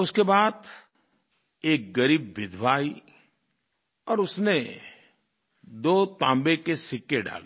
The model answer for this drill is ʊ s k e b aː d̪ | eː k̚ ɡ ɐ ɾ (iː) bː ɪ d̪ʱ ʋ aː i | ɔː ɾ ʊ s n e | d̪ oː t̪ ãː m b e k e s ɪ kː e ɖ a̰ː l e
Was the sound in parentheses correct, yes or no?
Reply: yes